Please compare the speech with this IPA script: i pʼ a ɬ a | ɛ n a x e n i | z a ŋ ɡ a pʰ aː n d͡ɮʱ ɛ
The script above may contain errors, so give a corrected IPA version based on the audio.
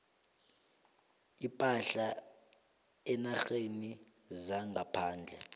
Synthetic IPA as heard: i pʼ a ɬ a | ɛ n a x e n i | z a ŋ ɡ a pʰ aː n d͡ɮʱ ɛ